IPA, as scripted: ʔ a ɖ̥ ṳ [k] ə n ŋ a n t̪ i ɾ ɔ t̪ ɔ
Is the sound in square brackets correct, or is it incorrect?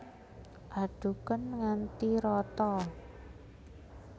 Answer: correct